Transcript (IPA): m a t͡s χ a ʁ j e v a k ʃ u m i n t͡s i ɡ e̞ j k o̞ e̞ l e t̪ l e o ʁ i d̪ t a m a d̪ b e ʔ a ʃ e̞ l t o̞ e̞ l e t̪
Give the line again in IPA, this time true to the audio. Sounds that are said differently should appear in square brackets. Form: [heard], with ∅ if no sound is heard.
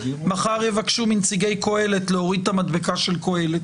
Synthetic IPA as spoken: m a [∅] χ a ʁ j e v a k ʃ u m i n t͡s i ɡ e̞ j k o̞ e̞ l e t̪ l e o ʁ i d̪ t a m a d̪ b e [k] a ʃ e̞ l [k] o̞ e̞ l e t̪